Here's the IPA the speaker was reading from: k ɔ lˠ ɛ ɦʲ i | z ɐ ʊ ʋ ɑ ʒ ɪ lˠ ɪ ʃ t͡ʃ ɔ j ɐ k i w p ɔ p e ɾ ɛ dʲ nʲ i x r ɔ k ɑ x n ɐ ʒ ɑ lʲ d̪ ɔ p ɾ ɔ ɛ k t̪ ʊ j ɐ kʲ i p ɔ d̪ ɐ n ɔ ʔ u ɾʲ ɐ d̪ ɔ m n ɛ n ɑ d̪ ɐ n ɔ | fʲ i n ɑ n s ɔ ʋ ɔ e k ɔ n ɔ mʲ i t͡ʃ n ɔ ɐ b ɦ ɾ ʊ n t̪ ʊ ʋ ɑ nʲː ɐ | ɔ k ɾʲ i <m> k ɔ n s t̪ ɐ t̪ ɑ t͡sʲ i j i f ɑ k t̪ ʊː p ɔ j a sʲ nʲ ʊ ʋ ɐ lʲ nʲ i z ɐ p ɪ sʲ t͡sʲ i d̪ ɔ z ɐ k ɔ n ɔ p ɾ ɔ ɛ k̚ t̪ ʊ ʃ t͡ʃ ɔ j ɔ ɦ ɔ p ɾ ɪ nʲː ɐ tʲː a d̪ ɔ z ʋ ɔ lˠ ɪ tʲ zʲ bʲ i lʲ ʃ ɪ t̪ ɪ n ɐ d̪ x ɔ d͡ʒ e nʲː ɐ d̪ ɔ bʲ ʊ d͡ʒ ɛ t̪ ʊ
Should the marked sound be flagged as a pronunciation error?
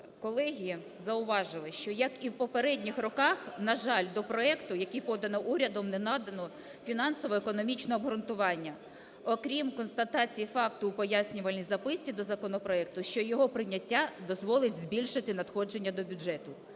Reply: no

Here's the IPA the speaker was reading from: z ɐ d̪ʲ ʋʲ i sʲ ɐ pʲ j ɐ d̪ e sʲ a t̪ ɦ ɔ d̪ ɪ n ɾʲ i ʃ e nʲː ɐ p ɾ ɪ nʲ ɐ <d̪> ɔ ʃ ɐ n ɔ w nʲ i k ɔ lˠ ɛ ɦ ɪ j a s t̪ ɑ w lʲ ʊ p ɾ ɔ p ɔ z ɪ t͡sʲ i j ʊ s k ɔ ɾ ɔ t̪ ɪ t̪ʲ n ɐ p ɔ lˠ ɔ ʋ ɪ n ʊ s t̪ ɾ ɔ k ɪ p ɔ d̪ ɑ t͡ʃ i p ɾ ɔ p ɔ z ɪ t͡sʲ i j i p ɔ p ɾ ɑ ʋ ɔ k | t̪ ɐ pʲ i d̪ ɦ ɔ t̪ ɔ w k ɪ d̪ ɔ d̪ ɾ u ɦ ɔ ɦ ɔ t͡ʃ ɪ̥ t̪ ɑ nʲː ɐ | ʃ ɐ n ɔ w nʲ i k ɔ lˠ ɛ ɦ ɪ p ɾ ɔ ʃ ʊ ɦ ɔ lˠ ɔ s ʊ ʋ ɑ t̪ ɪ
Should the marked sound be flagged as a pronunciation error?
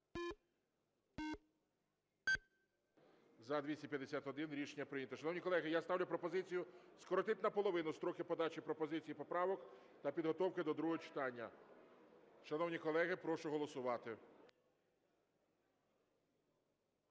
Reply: yes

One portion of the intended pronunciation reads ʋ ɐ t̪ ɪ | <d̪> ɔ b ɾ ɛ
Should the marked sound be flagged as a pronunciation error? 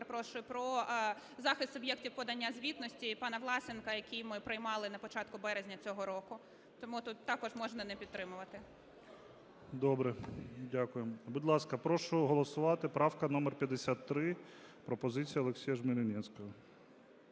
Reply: no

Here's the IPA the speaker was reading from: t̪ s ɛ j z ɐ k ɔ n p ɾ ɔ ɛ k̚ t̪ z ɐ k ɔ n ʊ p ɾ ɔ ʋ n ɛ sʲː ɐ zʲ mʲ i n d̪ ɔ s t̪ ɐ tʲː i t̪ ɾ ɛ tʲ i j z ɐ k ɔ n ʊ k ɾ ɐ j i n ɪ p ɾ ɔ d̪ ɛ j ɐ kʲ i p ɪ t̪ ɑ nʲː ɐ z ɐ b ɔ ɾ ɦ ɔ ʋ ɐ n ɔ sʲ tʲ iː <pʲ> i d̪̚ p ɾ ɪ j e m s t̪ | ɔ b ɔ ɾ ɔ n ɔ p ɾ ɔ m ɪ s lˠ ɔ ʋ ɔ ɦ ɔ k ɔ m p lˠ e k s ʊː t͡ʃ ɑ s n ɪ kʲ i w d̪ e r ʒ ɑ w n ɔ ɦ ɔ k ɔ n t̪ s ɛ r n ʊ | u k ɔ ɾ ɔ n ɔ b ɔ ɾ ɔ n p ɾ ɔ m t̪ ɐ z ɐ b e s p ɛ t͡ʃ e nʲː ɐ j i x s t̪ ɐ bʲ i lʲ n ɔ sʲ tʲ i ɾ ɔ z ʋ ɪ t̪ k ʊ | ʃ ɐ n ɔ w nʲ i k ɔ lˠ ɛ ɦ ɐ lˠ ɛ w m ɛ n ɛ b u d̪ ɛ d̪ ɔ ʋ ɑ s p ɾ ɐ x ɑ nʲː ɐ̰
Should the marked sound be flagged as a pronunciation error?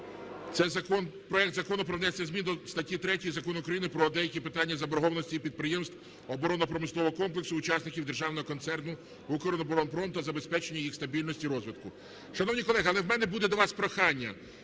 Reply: no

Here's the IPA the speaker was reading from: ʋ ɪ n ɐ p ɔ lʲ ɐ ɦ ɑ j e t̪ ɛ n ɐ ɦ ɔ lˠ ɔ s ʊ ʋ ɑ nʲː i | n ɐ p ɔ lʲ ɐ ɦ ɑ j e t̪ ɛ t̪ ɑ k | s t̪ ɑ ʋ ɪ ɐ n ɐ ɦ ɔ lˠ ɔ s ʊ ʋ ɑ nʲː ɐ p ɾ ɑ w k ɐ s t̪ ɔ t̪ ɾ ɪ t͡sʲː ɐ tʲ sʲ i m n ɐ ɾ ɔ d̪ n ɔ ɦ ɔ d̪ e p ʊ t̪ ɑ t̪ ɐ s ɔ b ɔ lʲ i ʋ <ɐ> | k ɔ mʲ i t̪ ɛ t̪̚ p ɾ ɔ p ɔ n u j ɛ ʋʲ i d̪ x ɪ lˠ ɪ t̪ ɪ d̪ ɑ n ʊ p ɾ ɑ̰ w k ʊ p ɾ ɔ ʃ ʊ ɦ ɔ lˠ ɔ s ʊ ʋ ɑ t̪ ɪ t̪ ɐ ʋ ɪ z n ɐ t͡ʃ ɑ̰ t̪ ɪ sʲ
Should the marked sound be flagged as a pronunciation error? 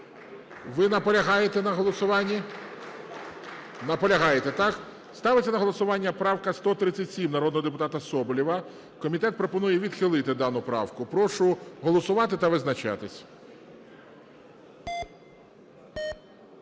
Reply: no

